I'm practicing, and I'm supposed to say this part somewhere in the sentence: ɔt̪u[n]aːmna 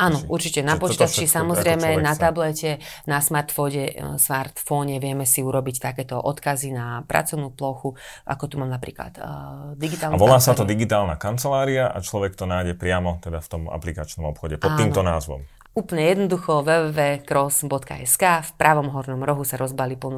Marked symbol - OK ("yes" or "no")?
no